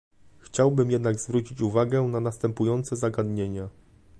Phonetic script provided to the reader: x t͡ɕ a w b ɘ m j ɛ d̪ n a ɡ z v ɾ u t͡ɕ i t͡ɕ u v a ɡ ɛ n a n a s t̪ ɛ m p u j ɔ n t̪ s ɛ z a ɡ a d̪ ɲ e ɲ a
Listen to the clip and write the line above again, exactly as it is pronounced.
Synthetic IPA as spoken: x t͡ɕ a w b ɘ m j ɛ d̪ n a ɡ z v ɾ u t͡ɕ i t͡ɕ u v a ɡ ɛ n a n a s t̪ ɛ m p u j ɔ n t̪ s ɛ z a ɡ a d̪ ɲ e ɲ a